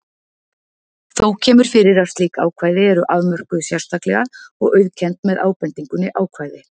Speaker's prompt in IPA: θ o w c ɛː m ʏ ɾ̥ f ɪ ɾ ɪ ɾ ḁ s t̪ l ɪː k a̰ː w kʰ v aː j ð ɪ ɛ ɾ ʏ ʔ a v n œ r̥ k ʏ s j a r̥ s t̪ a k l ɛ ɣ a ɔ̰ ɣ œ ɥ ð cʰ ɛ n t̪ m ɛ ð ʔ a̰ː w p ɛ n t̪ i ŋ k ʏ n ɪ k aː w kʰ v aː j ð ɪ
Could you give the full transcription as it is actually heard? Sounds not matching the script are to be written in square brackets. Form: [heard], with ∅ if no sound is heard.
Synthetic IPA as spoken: θ o w [cʰ] ɛː m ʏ ɾ̥ f ɪ ɾ ɪ ɾ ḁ s t̪ l [iː] k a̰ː w kʰ v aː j ð ɪ ɛ ɾ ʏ ʔ a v [m] œ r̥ k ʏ s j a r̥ s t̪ a k l ɛ ɣ a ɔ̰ ɣ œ ɥ ð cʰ ɛ n t̪ m ɛ ð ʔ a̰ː w p ɛ n t̪ i ŋ k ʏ n ɪ [ʔ] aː w kʰ v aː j ð ɪ